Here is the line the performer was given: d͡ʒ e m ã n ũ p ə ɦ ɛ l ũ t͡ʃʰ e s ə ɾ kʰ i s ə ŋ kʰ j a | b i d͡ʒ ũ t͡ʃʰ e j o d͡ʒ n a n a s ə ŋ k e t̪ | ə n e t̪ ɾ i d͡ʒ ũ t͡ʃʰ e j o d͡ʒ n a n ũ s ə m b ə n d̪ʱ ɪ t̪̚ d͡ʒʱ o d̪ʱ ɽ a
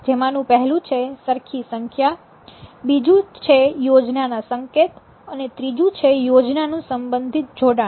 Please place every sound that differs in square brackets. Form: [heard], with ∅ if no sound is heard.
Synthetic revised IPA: d͡ʒ e m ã n ũ p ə ɦ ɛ l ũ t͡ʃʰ e s ə ɾ kʰ i s ə ŋ kʰ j a | b i d͡ʒ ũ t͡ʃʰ e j o d͡ʒ n a n a s ə ŋ k e t̪ | ə n e t̪ ɾ i d͡ʒ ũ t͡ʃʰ e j o d͡ʒ n a n ũ s ə m b ə n d̪ʱ [i] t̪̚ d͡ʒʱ o [∅] ɽ a

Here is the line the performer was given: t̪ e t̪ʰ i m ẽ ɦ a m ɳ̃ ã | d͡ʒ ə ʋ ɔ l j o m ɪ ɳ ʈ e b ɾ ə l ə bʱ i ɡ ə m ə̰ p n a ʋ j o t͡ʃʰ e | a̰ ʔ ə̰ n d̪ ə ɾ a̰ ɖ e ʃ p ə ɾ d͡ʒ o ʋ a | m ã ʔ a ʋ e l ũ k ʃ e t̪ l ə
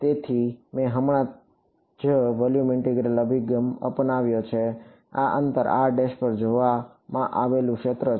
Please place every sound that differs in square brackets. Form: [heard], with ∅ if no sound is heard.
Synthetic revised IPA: t̪ e t̪ʰ i m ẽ ɦ [ə] m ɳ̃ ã | d͡ʒ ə ʋ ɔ l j [u] m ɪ ɳ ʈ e [ɡ] ɾ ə l ə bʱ i ɡ ə m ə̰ p n a ʋ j o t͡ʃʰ e | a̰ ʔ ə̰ n [t̪] ə ɾ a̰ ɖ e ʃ p ə ɾ d͡ʒ o ʋ a | m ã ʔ a ʋ e l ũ k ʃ e t̪ [ɾ] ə

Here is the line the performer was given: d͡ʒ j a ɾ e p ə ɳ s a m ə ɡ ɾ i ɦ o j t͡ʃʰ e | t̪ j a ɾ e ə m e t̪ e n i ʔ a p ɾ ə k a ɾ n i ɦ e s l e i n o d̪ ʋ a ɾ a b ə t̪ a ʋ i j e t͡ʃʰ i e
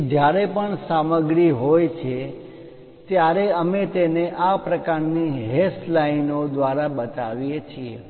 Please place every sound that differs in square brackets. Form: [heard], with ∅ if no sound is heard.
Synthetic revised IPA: d͡ʒ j a ɾ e p ə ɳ s a m ə ɡ ɾ i ɦ o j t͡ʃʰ e | t̪ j a ɾ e ə m e t̪ e n [e] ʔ a p ɾ ə k a ɾ n i ɦ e s l [a] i n o d̪ ʋ a ɾ a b ə t̪ a ʋ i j e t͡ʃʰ i e

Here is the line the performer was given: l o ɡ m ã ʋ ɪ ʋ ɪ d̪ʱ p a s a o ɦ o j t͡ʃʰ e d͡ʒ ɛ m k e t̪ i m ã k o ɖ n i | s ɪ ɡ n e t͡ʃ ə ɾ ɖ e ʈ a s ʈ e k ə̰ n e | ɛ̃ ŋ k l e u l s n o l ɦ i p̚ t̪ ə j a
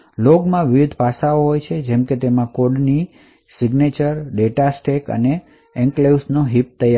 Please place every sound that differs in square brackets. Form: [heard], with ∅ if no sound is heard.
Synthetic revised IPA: l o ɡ m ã ʋ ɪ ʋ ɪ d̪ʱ p a s a o ɦ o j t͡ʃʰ e d͡ʒ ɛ m k e t̪ [e] m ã k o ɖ n i | s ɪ ɡ n e t͡ʃ ə ɾ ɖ e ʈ a s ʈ e k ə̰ n e | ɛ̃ ŋ k l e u [∅] s n o [∅] ɦ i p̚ t̪ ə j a

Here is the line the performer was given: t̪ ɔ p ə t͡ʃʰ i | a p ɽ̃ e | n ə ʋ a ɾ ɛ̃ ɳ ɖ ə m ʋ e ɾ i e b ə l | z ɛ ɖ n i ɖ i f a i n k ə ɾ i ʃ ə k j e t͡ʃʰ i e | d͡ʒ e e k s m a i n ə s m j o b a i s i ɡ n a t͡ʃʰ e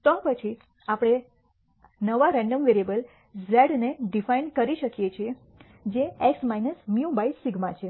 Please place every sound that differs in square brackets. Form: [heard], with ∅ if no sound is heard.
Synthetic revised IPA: t̪ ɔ p ə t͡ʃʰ i | a p ɽ̃ e | n ə ʋ a ɾ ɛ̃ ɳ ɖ ə m ʋ e ɾ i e b ə l | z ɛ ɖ n [e] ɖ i f a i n k ə ɾ i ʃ ə k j e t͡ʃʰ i e | d͡ʒ e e k s m a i n ə s m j [u] b a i s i ɡ [m] a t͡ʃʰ e

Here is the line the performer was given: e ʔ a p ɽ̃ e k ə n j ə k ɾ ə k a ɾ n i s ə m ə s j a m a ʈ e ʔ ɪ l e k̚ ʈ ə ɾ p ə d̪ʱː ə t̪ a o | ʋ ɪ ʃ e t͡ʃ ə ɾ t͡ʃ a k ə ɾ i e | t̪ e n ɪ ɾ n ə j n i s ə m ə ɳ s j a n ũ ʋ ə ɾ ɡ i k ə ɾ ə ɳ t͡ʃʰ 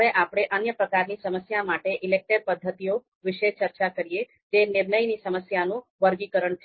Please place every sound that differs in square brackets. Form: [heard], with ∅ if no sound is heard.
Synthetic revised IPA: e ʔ a p ɽ̃ e [ʔ] ə n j ə [p] ɾ ə k a ɾ n i s ə m ə s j a m a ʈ e ʔ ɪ l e k̚ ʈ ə ɾ p ə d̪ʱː ə t̪ [i] o | ʋ ɪ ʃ e t͡ʃ ə ɾ t͡ʃ a k ə ɾ i e | t̪ e n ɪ ɾ n ə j n i s ə m ə [∅] s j a n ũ ʋ ə ɾ ɡ i k ə ɾ ə ɳ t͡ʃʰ

